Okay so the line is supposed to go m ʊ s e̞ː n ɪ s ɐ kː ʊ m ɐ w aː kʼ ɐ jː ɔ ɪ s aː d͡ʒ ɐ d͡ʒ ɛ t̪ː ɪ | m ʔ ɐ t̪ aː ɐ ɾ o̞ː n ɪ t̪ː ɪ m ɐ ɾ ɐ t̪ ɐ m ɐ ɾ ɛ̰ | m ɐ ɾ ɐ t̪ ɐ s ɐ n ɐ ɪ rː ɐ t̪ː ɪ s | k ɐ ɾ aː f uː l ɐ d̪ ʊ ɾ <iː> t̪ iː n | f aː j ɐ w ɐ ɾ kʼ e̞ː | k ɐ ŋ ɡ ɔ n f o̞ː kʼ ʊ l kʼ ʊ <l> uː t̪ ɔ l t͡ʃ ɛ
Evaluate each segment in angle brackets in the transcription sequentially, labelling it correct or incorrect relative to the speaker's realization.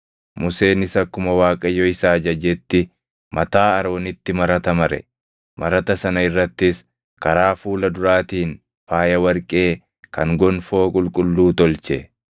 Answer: incorrect: aː, incorrect: lː

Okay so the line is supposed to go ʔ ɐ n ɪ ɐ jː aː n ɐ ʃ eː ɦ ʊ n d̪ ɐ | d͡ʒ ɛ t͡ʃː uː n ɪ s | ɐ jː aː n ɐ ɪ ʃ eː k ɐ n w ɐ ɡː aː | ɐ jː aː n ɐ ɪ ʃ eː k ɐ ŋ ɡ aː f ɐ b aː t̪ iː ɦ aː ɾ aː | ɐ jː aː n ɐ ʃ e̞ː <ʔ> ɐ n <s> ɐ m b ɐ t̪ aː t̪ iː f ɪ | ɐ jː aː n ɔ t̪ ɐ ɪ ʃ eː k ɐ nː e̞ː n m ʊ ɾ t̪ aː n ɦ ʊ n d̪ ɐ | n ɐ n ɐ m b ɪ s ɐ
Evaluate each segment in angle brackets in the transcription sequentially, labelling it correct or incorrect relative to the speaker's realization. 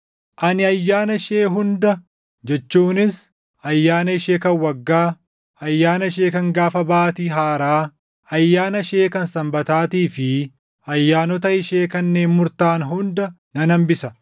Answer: incorrect: k, correct

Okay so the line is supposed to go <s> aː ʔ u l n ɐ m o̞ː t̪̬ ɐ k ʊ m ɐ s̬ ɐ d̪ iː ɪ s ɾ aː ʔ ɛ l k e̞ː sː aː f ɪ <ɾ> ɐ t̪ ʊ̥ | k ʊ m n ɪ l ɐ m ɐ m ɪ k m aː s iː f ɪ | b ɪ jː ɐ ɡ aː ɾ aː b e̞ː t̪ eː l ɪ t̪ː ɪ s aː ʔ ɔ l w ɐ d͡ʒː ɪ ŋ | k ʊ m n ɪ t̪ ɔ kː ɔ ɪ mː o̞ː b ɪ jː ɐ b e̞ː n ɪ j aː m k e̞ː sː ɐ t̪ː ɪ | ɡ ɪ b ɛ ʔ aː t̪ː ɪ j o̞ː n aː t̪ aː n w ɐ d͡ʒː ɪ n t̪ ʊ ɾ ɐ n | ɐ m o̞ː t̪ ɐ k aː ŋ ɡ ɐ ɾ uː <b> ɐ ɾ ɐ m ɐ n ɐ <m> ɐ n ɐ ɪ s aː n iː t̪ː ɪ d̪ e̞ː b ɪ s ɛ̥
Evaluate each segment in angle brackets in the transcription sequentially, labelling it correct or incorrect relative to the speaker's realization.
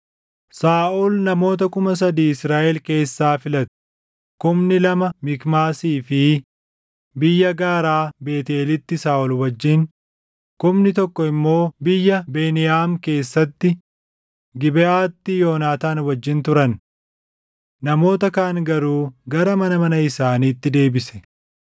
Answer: correct, incorrect: l, incorrect: ɡ, correct

